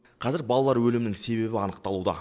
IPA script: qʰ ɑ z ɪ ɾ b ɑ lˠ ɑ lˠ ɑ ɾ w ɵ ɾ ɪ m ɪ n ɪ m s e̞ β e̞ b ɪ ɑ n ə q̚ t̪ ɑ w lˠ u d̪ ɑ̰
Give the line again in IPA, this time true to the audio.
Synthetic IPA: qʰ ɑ z ɪ ɾ b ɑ lˠ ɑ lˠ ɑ ɾ w ɵ l ɪ m ɪ n ɪ ŋ s e̞ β e̞ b ɪ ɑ n ə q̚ t̪ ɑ lˠ u d̪ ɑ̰